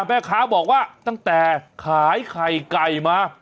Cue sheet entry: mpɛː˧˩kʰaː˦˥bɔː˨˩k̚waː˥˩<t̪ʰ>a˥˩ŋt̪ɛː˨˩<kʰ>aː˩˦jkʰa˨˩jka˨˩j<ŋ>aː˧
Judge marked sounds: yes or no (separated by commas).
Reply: no, yes, no